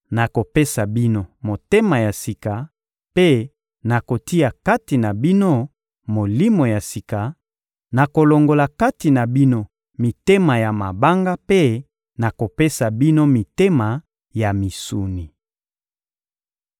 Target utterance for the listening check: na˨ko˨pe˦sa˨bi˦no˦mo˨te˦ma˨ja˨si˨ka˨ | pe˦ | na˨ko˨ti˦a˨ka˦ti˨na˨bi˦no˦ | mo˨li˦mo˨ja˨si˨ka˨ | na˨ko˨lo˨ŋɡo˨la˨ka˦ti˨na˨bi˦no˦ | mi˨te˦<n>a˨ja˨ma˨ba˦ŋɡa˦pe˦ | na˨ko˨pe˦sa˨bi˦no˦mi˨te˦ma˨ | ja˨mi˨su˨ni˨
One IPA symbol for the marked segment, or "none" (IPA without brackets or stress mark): m